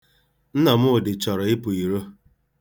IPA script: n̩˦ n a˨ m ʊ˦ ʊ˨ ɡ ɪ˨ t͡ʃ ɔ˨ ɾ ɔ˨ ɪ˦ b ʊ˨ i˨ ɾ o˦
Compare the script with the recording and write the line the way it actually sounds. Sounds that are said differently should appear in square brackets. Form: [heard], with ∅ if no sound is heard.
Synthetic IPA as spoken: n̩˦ n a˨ m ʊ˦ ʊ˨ [d] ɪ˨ t͡ʃ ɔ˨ ɾ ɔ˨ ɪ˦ [p] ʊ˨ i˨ ɾ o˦